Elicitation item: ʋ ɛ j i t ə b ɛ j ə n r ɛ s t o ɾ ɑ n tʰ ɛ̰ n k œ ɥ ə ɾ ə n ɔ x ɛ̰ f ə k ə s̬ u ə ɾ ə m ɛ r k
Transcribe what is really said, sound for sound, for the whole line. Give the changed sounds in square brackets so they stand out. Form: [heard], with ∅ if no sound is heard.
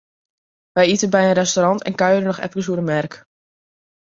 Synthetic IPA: ʋ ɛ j i t ə b ɛ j ə n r ɛ s t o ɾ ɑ n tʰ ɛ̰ n k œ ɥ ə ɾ ə n ɔ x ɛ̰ f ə k ə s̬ u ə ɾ ə m ɛ r k